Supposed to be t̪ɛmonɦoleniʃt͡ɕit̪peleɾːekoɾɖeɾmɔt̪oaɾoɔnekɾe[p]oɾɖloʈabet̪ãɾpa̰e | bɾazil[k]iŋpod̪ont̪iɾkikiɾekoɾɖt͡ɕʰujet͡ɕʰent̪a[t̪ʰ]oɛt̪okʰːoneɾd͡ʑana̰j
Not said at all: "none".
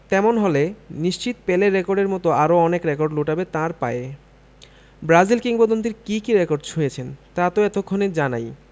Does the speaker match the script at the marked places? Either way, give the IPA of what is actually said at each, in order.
k, k, t̪

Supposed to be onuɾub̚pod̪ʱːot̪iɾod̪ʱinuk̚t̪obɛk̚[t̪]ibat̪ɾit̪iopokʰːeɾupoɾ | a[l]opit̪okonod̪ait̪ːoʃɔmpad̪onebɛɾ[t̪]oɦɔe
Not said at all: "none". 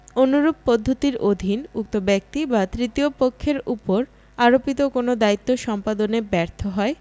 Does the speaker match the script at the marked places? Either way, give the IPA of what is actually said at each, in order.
t̪, ɾ, t̪ʰ

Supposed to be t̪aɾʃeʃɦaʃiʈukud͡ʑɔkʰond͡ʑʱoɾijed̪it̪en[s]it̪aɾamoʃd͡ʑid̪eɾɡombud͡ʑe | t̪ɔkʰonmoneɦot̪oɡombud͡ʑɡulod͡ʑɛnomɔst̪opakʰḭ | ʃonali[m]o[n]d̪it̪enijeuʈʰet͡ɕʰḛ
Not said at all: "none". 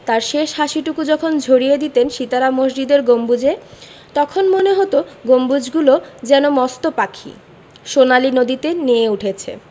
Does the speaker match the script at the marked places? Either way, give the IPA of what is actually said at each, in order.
ʃ, n, none

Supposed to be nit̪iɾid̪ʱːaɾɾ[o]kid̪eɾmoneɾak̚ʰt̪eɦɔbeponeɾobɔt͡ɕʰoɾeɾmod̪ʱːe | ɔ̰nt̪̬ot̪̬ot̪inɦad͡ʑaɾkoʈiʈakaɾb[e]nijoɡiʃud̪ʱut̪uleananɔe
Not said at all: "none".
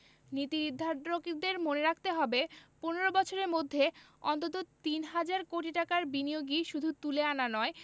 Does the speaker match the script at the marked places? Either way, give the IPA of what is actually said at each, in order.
o, i

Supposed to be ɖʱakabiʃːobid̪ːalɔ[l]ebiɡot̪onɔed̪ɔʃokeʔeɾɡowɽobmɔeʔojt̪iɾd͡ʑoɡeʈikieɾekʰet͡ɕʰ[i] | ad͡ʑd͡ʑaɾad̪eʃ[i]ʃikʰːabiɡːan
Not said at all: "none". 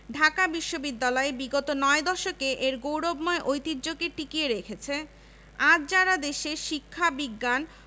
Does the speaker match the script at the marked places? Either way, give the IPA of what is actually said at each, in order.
none, e, e

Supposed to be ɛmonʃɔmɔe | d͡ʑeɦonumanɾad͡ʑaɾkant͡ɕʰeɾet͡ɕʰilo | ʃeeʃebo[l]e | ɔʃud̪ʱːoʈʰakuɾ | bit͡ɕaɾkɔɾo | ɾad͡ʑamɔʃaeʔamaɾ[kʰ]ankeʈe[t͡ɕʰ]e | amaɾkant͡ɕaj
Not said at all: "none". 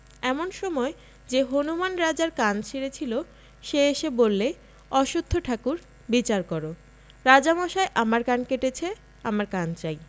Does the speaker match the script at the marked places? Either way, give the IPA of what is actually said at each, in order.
lː, k, t͡ɕʰ

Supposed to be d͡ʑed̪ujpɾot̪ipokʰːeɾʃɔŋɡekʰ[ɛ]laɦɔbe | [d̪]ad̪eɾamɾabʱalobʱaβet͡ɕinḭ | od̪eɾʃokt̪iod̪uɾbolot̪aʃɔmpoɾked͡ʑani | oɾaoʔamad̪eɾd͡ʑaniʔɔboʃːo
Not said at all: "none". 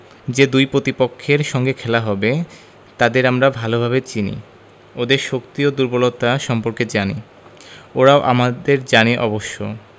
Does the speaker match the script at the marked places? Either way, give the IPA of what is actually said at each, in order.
ɛ, t̪

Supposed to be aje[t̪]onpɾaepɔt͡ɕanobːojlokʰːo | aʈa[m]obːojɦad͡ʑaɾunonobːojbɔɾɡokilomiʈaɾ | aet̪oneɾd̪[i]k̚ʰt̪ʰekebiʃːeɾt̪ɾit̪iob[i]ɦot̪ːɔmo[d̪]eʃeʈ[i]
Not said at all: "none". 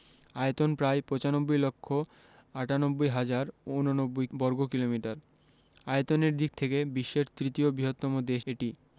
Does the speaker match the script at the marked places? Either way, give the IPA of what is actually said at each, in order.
t̪, n, i, i, d̪, i

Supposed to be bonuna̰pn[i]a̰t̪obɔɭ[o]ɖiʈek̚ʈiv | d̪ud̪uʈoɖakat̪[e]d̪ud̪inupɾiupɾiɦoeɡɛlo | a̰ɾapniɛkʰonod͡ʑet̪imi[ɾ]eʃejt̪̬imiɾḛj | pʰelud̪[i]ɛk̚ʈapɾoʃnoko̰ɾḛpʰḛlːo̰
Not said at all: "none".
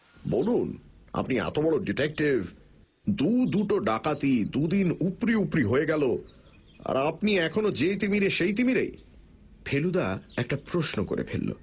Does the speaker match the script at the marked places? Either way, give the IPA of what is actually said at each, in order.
i, o, i, ɾ, a

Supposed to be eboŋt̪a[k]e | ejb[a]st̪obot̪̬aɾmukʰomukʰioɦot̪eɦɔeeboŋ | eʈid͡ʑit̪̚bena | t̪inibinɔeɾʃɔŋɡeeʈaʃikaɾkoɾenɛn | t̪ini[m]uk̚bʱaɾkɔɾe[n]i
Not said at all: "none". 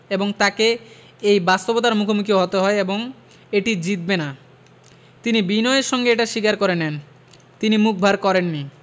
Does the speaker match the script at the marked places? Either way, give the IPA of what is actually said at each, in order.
k, a, m, nː

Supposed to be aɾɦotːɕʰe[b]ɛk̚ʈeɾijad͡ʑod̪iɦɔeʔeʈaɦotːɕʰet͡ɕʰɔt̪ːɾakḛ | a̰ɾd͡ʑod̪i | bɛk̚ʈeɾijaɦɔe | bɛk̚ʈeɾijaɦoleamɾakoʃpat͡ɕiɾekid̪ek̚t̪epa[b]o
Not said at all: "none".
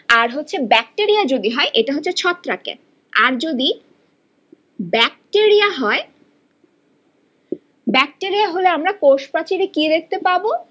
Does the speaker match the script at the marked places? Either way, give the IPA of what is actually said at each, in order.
b, b

